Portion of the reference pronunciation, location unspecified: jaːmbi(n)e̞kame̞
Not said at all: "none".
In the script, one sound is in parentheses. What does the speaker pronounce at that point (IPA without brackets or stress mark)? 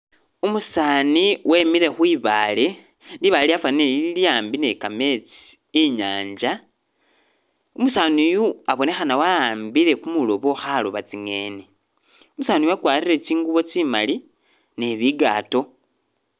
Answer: n